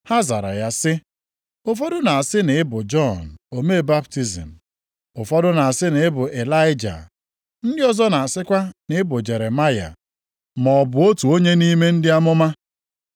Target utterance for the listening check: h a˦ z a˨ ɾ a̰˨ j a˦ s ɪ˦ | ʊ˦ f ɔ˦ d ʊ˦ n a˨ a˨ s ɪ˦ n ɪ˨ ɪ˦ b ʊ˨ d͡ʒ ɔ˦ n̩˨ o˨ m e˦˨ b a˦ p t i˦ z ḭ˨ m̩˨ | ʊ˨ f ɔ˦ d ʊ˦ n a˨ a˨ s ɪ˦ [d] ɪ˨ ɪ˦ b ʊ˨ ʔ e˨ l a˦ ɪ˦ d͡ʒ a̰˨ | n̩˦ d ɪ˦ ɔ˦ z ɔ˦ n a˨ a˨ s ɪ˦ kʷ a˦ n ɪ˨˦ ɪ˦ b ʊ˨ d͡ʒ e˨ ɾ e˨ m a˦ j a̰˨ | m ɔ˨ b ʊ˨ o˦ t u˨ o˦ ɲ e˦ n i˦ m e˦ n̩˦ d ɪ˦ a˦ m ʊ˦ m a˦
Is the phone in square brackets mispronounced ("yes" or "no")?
yes